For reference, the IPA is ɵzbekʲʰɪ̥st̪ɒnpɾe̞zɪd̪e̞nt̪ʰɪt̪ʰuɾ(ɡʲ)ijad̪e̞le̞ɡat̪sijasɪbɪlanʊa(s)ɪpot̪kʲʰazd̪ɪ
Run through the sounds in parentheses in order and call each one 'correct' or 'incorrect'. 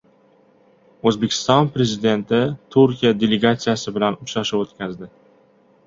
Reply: incorrect: kʲ, incorrect: ʃ

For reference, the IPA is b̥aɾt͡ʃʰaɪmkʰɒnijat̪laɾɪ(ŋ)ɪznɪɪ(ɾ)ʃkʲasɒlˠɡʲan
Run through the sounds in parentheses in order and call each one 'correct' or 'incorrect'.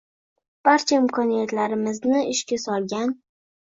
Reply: incorrect: m, incorrect: none

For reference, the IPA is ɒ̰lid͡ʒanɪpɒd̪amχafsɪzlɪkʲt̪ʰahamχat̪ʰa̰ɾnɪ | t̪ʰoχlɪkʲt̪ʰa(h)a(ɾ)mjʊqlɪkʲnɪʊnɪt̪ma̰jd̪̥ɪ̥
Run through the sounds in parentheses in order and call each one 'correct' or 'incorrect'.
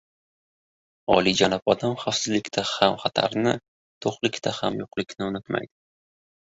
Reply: correct, incorrect: none

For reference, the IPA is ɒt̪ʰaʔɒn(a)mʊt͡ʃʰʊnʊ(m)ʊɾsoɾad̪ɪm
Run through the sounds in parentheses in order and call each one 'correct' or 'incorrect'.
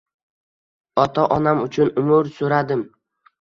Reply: correct, correct

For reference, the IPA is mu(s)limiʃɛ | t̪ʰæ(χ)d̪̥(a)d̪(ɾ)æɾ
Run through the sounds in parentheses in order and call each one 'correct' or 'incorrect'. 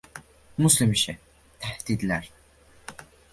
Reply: correct, incorrect: h, incorrect: i, incorrect: l

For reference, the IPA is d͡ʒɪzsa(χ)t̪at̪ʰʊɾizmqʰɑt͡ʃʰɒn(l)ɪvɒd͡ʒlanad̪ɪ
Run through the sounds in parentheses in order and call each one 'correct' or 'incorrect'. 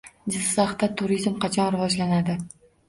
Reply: correct, incorrect: ɾ

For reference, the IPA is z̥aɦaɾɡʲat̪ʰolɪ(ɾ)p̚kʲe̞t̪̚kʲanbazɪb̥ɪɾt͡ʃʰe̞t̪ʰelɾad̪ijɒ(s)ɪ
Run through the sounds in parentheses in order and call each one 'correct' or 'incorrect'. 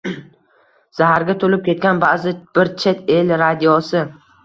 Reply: incorrect: none, correct

